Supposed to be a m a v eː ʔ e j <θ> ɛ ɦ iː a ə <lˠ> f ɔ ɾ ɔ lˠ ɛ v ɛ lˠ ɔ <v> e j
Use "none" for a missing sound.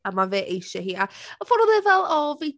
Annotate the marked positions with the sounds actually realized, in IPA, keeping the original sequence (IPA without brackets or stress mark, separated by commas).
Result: ʃ, none, v